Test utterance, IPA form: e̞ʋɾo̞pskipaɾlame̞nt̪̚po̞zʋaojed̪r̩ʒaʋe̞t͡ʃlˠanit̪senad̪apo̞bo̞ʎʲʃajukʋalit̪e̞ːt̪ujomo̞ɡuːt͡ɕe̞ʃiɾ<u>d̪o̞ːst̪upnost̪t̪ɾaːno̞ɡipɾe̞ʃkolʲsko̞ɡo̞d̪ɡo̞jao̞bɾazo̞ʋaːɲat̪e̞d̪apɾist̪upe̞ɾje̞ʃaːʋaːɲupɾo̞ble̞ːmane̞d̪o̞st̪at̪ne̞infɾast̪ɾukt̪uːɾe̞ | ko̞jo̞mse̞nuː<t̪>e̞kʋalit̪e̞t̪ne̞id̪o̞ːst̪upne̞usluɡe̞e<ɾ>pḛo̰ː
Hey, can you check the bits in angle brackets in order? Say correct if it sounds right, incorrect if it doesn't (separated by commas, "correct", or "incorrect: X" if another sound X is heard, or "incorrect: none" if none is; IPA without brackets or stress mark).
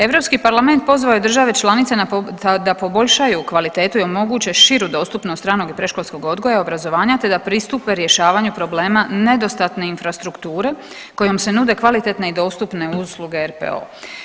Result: correct, incorrect: d̪, correct